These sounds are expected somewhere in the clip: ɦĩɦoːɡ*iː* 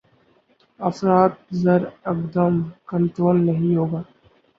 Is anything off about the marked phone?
yes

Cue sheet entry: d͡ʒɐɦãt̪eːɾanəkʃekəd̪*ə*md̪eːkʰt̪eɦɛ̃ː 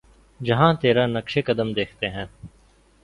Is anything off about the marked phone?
no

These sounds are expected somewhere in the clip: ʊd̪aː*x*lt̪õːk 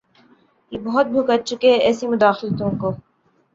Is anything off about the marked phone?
no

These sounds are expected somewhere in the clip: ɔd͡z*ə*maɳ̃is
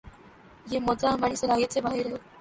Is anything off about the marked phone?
yes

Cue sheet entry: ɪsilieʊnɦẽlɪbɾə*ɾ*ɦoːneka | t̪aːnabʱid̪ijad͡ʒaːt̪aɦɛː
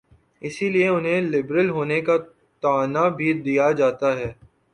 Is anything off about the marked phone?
yes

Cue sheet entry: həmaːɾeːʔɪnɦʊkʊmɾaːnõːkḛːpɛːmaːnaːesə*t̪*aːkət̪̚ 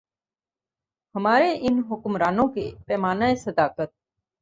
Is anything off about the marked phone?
yes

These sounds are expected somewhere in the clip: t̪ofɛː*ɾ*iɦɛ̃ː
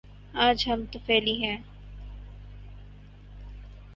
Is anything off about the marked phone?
yes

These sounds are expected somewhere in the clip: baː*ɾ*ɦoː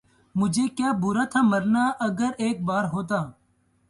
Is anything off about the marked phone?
no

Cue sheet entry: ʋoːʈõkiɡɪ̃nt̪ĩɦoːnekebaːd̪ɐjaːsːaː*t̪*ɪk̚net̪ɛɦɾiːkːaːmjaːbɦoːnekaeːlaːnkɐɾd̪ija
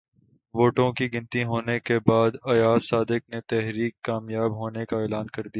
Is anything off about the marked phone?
yes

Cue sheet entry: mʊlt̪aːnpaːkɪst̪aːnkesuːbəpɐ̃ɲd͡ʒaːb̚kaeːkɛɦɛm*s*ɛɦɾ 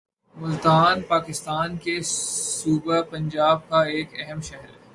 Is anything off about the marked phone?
yes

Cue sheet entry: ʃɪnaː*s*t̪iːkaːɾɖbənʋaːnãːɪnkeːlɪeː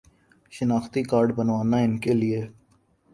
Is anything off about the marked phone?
yes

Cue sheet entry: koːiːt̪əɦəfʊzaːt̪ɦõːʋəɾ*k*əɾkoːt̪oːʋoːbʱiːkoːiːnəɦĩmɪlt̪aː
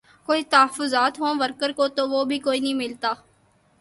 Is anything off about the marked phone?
no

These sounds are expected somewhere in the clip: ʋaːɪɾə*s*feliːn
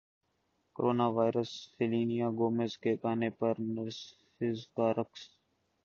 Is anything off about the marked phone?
no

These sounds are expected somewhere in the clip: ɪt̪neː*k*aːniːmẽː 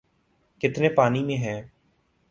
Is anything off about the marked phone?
yes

